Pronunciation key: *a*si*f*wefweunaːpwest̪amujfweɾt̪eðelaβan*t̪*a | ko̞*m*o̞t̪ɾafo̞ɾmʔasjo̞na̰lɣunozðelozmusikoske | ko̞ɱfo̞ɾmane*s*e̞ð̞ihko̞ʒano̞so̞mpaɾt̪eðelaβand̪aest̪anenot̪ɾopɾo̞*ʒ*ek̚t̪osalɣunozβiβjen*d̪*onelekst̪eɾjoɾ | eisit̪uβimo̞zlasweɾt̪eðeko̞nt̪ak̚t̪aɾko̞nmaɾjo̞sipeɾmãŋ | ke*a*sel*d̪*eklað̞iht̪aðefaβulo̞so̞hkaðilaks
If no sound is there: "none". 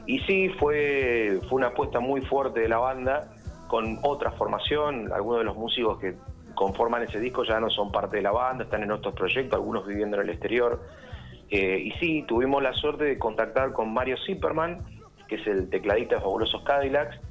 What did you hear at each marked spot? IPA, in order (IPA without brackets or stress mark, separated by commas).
i, f, d̪, n, s, ʒ, d̪, e, t̪